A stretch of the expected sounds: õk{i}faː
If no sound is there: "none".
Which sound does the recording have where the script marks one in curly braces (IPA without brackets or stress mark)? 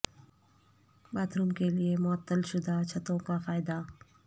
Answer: a